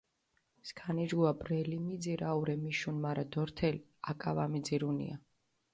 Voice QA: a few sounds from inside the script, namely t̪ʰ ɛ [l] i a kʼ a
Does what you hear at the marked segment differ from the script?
no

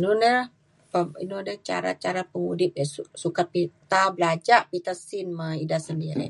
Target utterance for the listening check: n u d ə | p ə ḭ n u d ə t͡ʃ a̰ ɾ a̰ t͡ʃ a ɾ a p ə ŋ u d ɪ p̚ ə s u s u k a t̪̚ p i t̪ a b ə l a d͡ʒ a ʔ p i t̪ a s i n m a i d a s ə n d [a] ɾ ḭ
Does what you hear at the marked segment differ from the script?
yes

